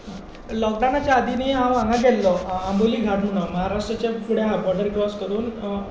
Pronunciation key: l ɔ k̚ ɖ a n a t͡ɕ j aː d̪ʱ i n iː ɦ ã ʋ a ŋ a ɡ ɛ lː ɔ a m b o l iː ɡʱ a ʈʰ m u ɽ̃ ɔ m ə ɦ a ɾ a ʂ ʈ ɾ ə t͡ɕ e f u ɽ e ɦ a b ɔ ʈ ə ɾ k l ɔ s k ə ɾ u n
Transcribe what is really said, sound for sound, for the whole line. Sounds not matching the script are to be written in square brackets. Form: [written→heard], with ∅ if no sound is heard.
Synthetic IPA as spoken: l ɔ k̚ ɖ a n a t͡ɕ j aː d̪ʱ i n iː ɦ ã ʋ a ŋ a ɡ ɛ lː ɔ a m b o l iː ɡʱ a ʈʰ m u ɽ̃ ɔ m ə ɦ a ɾ a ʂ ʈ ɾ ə t͡ɕ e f u ɽ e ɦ a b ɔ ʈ ə ɾ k [l→ɾ] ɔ s k ə ɾ [u→uː] n